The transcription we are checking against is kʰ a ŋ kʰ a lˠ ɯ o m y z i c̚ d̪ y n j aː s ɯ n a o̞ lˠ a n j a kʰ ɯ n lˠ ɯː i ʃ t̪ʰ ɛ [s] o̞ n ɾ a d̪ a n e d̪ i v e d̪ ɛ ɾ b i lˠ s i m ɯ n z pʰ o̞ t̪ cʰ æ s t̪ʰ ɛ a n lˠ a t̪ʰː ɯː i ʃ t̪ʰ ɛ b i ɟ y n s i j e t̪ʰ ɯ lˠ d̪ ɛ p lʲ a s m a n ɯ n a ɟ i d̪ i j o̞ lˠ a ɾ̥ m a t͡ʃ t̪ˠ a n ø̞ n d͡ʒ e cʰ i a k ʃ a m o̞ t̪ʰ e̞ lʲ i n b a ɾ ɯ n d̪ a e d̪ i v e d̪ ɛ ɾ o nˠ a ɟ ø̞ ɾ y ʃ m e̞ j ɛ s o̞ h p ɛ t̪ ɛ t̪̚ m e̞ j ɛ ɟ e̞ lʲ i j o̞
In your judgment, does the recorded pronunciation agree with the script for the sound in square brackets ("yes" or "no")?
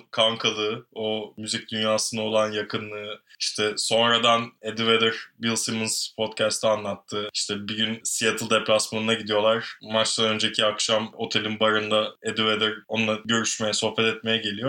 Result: yes